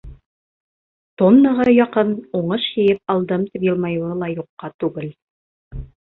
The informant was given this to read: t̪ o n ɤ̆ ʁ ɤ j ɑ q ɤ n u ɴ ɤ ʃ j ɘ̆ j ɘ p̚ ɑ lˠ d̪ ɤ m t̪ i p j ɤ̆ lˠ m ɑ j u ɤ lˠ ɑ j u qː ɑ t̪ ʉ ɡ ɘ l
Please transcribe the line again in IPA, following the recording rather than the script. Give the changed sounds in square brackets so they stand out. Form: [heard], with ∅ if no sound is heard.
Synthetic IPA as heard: t̪ o [nː] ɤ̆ ʁ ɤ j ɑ q ɤ n u ɴ ɤ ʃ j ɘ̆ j ɘ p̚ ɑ lˠ d̪ ɤ m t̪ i p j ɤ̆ lˠ m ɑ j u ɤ lˠ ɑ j u qː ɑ t̪ ʉ ɡ ɘ l